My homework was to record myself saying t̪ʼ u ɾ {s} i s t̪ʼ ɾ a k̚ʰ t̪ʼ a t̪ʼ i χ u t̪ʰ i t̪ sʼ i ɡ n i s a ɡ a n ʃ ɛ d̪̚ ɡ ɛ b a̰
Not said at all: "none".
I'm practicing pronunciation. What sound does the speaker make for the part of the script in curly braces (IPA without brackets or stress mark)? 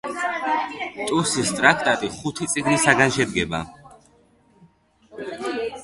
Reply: s